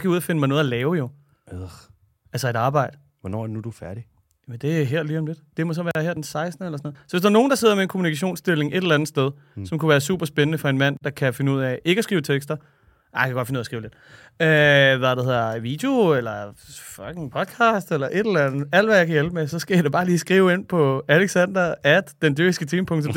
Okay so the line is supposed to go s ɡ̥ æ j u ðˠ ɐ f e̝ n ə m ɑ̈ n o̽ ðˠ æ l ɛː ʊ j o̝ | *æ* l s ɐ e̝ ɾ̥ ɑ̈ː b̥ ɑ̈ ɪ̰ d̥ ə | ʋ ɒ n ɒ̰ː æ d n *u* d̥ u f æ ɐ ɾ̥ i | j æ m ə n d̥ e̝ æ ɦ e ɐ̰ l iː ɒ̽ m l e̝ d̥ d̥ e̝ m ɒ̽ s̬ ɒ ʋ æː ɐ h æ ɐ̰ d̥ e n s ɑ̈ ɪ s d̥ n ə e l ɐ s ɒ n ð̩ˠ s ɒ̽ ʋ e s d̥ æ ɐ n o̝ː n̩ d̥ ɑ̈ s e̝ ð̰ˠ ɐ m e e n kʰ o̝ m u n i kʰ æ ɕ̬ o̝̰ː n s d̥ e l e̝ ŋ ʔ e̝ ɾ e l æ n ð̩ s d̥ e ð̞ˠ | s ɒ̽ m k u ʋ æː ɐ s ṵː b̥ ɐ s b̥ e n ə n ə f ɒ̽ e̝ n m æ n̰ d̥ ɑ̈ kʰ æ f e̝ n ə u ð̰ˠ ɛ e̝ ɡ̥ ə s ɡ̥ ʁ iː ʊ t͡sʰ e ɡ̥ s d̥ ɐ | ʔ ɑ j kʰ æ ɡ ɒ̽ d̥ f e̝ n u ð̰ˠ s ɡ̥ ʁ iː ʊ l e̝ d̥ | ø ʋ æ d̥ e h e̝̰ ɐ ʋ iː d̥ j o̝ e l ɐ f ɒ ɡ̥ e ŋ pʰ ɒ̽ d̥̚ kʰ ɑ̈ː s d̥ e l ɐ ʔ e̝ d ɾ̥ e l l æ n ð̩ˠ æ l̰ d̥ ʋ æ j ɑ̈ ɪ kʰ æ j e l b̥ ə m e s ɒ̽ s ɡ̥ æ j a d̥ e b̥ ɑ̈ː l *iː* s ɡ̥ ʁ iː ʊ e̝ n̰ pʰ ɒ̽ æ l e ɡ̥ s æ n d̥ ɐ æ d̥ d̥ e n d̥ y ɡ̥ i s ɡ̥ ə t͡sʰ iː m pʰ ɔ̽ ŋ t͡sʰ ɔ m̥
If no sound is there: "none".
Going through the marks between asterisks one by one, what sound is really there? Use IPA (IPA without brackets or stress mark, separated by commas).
æ, u, iː